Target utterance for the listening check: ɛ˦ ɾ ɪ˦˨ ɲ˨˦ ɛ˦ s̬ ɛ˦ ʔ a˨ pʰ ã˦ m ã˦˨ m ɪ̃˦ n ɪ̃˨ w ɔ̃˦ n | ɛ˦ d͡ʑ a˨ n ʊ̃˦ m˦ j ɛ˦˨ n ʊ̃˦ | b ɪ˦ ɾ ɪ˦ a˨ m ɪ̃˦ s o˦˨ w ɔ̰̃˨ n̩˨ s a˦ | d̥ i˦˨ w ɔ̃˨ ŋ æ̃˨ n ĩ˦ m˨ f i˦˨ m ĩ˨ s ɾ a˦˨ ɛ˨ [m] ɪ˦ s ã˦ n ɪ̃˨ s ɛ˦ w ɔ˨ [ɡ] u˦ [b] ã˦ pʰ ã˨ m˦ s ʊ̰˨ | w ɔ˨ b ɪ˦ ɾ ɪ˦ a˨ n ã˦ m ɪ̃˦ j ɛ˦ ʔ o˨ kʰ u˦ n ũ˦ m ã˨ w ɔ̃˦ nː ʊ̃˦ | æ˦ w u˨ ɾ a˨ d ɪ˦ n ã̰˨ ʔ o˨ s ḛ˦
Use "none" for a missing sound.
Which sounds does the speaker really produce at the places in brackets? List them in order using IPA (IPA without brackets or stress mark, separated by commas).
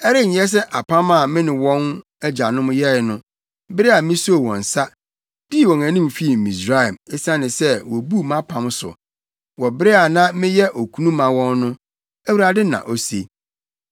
m, b, m